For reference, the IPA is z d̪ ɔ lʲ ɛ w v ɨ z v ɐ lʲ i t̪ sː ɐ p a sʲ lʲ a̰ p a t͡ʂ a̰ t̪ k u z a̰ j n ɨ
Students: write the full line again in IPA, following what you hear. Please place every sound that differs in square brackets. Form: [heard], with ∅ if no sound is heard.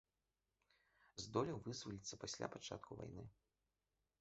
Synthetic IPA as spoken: z d̪ ɔ lʲ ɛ w v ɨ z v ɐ lʲ i t̪ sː ɐ p a sʲ lʲ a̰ p a t͡ʂ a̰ t̪ k u [v] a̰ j n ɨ